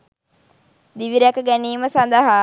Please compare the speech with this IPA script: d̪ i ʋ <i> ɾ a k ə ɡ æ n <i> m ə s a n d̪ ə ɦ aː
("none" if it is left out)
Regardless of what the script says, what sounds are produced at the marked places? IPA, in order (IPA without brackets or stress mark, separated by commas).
i, iː